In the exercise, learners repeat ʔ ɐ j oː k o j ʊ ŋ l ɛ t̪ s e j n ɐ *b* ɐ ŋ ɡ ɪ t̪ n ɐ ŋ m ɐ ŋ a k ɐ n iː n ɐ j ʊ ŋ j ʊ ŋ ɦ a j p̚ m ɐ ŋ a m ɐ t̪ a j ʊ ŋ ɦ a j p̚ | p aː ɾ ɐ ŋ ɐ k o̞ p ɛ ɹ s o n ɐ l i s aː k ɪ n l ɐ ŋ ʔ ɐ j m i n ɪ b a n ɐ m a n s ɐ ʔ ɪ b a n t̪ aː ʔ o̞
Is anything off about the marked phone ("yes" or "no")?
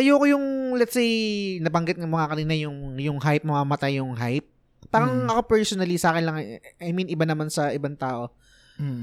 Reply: no